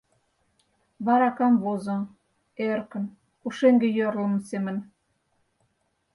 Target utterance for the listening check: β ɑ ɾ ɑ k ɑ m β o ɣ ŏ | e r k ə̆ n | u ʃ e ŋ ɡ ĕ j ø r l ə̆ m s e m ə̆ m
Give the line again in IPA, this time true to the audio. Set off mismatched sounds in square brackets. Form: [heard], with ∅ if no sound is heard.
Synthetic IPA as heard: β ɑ ɾ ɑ k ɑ m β o [z] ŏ | e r k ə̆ n | u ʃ e ŋ ɡ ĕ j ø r l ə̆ m s e m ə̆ [n]